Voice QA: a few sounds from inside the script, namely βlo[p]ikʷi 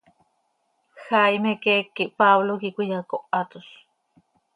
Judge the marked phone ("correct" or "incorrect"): incorrect